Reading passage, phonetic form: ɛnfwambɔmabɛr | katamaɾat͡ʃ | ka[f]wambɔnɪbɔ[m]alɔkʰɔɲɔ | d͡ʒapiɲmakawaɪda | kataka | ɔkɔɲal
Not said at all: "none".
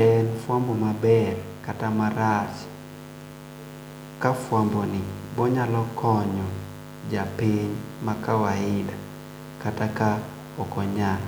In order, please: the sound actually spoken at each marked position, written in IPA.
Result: f, ɲ

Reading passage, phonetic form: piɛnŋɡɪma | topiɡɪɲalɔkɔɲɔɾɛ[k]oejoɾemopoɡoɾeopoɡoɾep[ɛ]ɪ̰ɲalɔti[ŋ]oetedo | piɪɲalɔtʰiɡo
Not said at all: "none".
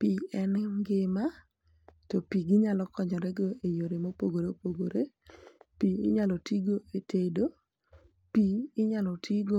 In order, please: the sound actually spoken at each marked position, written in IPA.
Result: ɡ, i, ɡ

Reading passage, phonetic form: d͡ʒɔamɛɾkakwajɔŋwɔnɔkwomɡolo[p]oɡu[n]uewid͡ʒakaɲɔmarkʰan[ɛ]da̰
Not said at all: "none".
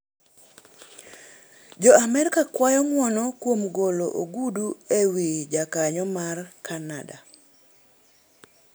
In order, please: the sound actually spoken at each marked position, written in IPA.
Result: ʔ, d, a

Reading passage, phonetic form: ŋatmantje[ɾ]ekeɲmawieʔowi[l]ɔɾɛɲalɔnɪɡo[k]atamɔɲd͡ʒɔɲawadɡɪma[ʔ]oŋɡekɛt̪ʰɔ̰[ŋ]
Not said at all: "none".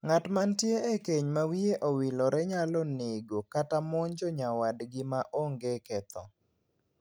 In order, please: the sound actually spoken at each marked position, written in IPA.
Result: none, l, k, ʔ, none

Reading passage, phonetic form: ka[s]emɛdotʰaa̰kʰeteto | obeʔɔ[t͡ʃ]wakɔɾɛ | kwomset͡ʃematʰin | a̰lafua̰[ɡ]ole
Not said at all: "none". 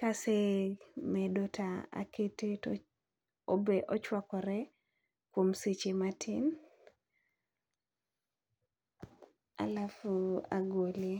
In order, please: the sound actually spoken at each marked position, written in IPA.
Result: s, t͡ʃ, ɡ

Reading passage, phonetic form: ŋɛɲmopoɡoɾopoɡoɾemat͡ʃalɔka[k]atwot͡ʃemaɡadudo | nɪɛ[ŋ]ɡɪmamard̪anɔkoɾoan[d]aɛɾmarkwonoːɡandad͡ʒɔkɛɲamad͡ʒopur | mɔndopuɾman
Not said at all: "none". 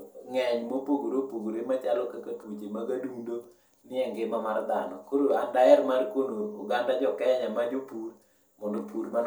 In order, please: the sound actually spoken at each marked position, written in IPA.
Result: k, ŋ, d

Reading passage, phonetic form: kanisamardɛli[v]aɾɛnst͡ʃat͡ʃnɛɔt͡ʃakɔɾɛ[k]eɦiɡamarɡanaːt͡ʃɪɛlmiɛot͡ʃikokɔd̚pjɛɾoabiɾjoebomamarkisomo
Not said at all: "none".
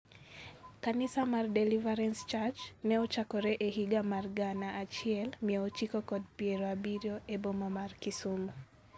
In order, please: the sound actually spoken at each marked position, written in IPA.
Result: v, ʔ

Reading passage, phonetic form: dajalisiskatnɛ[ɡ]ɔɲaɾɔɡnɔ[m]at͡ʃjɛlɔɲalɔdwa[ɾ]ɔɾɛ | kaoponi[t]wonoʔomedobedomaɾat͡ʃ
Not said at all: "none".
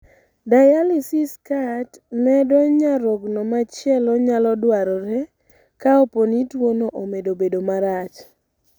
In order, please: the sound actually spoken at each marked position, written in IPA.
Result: d, m, ɾ, t

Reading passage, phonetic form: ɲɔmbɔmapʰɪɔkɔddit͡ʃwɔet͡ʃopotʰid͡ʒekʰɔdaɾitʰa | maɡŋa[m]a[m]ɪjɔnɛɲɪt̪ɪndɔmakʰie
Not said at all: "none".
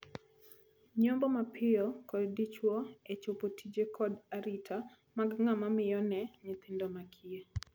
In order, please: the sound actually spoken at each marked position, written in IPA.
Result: m, m

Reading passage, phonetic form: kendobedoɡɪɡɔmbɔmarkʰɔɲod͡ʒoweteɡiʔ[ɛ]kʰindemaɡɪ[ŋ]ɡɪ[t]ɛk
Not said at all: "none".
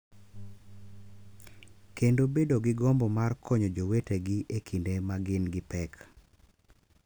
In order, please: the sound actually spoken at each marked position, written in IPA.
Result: e, n, p

